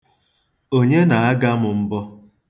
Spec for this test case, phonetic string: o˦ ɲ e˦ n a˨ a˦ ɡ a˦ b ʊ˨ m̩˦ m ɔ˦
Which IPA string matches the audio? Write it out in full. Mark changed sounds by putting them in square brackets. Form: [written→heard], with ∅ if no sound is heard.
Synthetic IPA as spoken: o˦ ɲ e˦ n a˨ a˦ ɡ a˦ [b→m] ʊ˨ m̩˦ [m→b] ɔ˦